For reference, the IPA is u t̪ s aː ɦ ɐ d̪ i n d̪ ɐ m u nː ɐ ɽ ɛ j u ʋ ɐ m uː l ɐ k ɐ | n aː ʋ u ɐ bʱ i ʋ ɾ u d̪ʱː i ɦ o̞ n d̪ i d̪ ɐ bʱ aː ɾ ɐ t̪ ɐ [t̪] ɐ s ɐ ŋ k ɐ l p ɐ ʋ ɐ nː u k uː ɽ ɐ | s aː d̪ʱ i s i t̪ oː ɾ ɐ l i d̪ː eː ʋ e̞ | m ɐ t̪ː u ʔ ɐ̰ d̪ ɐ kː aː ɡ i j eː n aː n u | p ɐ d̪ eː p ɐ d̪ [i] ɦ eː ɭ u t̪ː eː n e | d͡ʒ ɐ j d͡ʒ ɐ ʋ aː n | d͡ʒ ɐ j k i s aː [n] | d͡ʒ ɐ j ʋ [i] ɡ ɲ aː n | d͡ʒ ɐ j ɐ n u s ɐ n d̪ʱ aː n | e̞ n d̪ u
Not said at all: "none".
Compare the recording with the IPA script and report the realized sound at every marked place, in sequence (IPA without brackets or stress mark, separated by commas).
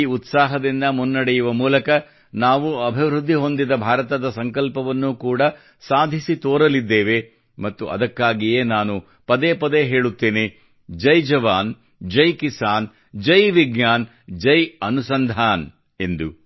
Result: d̪, e, n, i